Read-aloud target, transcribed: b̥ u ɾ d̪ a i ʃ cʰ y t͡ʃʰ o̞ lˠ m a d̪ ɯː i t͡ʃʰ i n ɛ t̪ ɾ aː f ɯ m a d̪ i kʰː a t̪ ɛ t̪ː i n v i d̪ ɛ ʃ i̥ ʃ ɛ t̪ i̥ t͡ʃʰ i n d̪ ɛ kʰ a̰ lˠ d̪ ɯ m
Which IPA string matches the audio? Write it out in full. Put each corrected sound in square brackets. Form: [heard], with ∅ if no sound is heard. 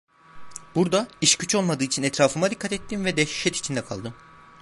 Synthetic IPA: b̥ u ɾ d̪ a i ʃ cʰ y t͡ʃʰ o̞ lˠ m a d̪ ɯː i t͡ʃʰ i n ɛ t̪ ɾ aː f ɯ m a d̪ i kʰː a t̪ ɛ t̪ː i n v [ɛ] d̪ ɛ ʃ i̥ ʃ ɛ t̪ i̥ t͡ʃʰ i n d̪ ɛ kʰ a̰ lˠ d̪ ɯ m